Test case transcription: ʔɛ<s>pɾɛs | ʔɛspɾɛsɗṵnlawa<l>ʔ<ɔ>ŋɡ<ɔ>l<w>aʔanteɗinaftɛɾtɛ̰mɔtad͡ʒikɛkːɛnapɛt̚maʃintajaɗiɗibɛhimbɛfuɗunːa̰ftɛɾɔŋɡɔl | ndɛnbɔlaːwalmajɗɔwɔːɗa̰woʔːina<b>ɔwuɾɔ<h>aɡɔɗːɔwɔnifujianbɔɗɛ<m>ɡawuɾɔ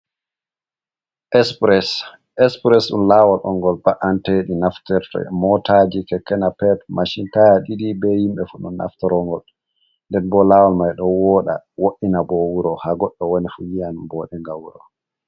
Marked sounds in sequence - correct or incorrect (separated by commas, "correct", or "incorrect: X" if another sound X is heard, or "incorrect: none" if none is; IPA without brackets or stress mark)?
correct, correct, correct, correct, incorrect: b, correct, correct, incorrect: ŋ